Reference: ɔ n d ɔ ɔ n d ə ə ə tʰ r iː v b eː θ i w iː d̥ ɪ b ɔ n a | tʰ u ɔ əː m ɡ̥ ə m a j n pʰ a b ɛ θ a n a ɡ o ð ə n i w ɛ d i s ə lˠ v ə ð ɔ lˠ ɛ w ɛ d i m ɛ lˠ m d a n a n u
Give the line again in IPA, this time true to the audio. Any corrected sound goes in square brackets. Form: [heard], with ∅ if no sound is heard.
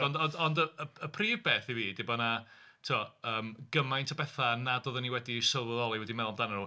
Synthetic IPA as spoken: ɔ n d ɔ ɔ n d ə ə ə [pʰ] r iː v b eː θ i [v] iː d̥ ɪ b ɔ n a | tʰ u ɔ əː m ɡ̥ ə m a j n [tʰ] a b ɛ θ a n a [d] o ð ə n i w ɛ d i s ə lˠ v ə ð ɔ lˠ [i] w ɛ d i m ɛ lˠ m d a n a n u